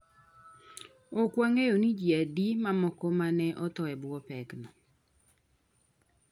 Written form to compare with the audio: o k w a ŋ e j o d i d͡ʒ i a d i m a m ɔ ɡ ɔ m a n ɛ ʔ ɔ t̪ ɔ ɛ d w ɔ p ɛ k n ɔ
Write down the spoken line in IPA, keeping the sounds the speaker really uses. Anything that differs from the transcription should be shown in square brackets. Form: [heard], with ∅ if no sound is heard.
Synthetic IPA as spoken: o k w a ŋ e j o [n] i d͡ʒ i a d i m a m ɔ [k] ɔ m a n ɛ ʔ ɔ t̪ ɔ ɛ [b] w ɔ p ɛ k n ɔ